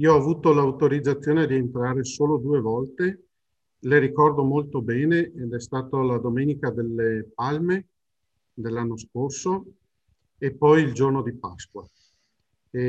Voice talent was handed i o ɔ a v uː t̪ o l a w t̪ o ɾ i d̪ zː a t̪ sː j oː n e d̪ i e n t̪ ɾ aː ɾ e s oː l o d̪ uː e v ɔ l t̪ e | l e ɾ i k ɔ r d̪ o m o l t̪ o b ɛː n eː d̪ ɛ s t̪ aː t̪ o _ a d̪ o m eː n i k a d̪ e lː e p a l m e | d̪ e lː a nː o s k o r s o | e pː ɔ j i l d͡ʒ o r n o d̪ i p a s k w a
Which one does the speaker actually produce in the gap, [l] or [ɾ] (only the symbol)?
l